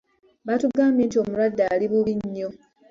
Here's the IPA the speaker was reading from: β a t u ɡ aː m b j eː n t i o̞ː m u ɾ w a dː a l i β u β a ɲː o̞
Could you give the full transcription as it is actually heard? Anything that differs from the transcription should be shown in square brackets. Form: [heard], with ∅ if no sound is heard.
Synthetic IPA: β a t u ɡ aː m b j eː n t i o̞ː m u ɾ w a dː a l i β u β [i] ɲː o̞